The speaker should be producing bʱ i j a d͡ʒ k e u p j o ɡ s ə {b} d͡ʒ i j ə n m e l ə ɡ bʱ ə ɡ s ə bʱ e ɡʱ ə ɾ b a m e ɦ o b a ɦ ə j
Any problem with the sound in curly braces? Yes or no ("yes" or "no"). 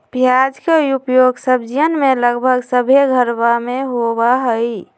no